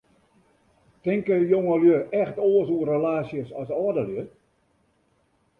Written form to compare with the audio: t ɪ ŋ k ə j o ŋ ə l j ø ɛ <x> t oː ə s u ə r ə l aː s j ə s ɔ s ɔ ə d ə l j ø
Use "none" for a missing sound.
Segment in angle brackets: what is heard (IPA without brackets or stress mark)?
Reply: x